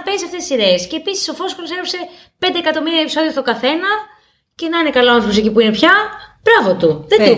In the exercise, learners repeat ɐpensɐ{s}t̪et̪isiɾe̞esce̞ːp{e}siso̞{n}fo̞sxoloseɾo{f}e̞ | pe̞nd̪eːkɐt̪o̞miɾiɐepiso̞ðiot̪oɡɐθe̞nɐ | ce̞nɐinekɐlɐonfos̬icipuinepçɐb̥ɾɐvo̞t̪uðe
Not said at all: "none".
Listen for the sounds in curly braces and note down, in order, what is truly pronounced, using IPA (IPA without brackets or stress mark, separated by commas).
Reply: f, i, none, s